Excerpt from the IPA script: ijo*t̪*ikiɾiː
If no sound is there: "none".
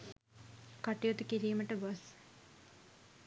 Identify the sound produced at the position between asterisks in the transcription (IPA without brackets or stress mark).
t̪